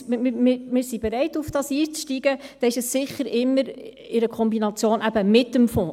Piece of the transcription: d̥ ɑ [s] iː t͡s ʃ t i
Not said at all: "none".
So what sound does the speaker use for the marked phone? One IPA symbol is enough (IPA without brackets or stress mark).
s